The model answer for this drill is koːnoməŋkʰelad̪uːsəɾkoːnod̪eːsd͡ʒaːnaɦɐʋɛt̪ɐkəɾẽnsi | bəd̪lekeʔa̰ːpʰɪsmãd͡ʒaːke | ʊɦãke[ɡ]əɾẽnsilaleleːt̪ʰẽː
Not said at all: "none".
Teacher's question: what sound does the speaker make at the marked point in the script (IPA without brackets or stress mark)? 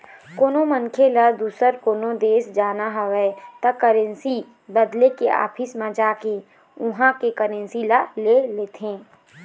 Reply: k